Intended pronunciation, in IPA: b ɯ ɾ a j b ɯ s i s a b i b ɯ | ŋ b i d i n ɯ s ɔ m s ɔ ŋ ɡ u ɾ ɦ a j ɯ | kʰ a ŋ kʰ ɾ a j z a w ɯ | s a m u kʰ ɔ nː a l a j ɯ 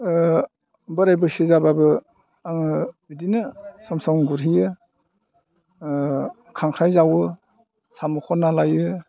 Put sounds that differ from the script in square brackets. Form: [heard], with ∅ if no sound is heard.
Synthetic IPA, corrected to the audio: b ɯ ɾ a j b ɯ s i [z] a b [a] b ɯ | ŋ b i d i n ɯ s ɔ m s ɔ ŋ ɡ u ɾ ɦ [i] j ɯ | kʰ a ŋ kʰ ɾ a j z a w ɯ | s a m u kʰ ɔ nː a l a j ɯ